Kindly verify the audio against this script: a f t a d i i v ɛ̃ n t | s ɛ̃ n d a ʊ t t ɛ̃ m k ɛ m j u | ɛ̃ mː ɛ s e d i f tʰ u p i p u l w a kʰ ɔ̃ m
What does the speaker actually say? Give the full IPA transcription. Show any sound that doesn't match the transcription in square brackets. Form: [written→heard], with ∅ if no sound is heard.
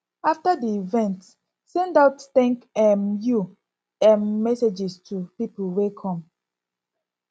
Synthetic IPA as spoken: a f t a d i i v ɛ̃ n t | s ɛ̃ n d a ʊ t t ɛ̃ [m→ŋ] k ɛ m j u | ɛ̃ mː ɛ s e [d→d͡ʒ] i [f→s] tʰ u p i p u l w [a→e] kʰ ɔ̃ m